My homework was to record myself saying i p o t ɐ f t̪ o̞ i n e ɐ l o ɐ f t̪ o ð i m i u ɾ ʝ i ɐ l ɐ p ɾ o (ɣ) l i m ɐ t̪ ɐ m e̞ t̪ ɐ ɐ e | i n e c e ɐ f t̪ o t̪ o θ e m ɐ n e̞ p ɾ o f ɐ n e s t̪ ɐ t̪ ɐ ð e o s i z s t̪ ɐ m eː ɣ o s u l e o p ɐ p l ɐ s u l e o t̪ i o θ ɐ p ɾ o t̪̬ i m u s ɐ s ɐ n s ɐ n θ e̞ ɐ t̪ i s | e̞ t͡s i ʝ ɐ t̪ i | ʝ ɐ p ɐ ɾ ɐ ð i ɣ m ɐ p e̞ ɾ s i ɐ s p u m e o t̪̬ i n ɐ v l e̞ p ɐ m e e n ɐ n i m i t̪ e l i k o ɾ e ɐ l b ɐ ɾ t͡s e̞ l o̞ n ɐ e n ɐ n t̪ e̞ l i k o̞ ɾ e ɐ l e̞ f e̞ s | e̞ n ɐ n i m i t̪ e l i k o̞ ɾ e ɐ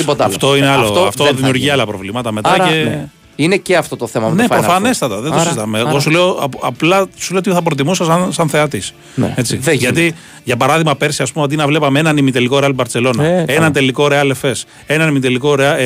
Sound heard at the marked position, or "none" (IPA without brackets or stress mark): v